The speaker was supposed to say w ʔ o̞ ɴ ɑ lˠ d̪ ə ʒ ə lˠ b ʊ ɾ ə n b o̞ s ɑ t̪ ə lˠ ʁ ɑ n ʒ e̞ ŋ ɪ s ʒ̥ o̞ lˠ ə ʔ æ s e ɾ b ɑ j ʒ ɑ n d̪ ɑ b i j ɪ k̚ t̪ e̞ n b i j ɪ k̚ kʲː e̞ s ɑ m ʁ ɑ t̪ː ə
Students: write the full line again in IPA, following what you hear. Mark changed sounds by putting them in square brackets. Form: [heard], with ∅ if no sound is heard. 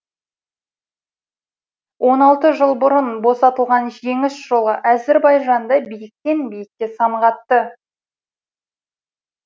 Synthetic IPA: w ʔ o̞ [n] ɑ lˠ [t̪] ə ʒ ə lˠ b ʊ ɾ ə n b o̞ s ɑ t̪ ə lˠ ʁ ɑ n ʒ e̞ ŋ ɪ s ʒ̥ o̞ lˠ ə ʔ æ [z] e ɾ b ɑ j ʒ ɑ n d̪ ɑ b i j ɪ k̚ t̪ e̞ n b i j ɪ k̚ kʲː e̞ s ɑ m ʁ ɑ t̪ː ə